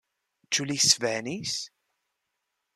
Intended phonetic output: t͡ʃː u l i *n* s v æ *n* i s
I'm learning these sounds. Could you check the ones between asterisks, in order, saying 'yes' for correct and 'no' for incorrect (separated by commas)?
no, yes